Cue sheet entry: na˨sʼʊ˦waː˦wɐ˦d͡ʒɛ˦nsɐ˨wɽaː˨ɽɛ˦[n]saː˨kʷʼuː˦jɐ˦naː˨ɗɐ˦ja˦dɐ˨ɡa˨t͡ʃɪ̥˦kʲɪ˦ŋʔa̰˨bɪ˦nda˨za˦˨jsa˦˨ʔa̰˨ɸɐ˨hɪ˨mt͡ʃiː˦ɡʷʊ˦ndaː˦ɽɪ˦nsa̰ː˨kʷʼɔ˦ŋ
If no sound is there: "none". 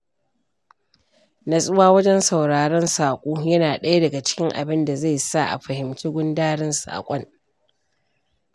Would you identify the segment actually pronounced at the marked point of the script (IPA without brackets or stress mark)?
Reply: n